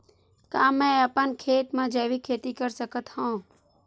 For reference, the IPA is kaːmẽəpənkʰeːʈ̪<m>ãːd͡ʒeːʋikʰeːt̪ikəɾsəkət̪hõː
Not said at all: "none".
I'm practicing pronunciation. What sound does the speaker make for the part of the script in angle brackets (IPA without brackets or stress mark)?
m